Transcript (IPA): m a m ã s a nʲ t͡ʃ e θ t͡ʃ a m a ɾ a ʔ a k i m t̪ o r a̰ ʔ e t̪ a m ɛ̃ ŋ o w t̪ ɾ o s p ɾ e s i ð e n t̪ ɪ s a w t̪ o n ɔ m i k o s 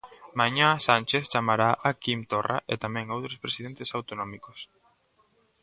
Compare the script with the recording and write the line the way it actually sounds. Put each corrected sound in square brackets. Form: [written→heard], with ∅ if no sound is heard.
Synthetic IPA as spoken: m a [m→ɲ] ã s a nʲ t͡ʃ e θ t͡ʃ a m a ɾ a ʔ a k i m t̪ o r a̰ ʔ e t̪ a m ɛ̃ ŋ o w t̪ ɾ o s p ɾ e s i ð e n t̪ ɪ s a w t̪ o n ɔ m i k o s